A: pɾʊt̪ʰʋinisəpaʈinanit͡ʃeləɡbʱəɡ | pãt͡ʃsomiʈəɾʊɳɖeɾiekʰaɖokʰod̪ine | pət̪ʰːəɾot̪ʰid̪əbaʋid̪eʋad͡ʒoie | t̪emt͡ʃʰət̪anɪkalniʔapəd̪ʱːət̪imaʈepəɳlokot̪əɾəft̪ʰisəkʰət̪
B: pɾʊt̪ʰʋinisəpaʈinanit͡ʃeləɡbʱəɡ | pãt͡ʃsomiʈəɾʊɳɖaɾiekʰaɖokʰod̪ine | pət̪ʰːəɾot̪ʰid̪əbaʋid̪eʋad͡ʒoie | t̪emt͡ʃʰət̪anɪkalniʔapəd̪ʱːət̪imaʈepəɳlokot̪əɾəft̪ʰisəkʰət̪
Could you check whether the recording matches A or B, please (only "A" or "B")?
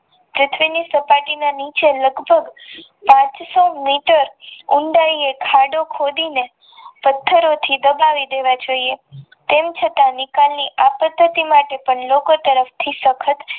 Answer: B